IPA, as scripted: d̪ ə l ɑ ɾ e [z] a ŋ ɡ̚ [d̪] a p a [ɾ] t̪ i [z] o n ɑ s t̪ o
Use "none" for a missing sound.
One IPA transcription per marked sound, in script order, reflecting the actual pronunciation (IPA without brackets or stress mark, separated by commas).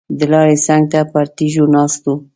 s, t̪, ɾ, ʒ